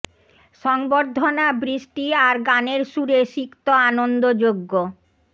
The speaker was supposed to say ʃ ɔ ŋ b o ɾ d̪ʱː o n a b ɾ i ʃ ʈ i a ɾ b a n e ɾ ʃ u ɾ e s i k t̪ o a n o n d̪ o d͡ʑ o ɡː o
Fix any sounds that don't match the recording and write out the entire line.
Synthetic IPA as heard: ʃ ɔ ŋ b o ɾ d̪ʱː o n a b ɾ i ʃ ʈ i a ɾ ɡ a n e ɾ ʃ u ɾ e ʃ i k t̪ o a n o n d̪ o d͡ʑ o ɡː o